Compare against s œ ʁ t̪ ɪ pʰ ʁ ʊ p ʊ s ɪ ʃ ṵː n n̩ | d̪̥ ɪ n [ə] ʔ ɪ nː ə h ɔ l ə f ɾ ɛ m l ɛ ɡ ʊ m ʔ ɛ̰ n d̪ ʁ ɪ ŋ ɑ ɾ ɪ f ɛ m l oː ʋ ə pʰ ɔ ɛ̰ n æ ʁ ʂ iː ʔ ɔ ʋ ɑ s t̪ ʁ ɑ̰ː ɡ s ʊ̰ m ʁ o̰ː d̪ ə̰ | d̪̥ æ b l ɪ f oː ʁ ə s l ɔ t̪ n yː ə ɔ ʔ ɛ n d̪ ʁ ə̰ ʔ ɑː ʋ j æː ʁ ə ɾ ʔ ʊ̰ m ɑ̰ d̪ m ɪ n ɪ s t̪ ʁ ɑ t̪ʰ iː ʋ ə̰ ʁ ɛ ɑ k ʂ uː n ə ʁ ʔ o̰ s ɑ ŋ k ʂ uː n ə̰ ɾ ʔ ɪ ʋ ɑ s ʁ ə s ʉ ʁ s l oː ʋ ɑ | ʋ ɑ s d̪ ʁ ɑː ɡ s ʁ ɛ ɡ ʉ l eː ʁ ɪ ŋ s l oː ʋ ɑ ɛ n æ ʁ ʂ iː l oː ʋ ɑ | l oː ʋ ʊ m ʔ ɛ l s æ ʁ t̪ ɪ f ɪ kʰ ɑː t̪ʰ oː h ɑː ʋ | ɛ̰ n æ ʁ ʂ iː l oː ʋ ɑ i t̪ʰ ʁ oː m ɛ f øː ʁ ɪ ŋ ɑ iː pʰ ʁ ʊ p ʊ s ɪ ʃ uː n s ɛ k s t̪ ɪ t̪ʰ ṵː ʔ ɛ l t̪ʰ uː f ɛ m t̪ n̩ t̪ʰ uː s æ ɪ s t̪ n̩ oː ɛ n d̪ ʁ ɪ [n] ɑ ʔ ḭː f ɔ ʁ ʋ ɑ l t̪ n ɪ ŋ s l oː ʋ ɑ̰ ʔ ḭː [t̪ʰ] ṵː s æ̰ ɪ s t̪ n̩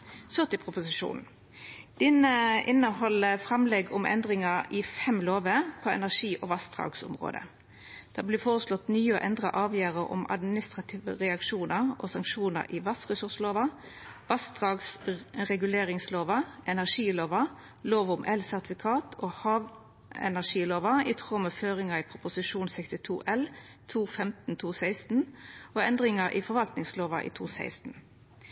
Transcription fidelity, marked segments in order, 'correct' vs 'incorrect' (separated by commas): correct, incorrect, correct